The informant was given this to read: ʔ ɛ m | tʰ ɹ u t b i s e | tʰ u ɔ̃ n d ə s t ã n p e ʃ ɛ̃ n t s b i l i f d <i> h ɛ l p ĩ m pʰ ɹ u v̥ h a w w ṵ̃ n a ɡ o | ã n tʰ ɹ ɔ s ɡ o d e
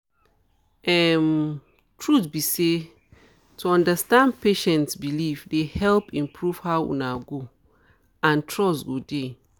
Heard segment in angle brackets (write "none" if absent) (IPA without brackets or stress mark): e